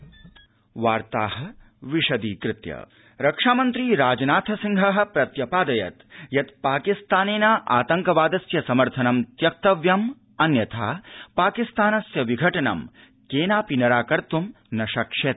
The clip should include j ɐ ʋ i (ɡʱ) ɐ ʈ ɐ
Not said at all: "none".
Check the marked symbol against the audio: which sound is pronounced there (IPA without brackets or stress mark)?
ɡʱ